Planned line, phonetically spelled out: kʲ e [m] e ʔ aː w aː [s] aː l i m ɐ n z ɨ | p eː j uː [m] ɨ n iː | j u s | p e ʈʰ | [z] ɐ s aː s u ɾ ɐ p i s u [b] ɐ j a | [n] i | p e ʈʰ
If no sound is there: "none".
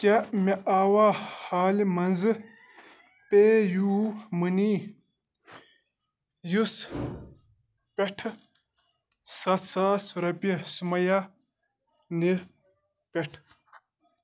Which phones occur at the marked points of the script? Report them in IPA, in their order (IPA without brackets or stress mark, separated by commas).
m, h, m, s, m, n